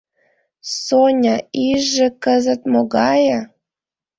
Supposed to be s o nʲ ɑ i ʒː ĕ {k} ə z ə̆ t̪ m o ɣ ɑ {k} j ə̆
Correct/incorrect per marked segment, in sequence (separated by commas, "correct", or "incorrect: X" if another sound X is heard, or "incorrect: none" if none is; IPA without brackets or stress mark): correct, incorrect: none